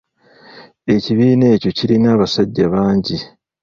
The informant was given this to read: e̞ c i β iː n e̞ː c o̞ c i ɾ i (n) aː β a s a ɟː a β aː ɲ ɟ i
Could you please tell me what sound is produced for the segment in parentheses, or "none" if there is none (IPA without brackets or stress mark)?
n